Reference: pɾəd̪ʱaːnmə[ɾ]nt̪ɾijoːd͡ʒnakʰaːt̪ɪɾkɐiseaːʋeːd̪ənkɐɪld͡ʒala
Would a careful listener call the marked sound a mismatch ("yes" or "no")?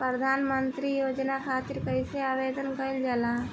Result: yes